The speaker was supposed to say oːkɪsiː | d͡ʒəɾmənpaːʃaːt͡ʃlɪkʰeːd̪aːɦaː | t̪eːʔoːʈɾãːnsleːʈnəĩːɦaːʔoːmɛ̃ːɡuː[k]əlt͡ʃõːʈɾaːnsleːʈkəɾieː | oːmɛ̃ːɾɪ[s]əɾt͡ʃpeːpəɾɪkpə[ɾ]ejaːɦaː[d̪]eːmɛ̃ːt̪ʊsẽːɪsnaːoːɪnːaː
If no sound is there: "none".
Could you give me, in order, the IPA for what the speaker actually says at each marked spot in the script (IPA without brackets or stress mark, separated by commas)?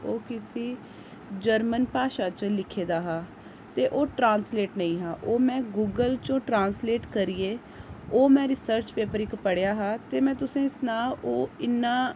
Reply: ɡ, s, ɽ, t̪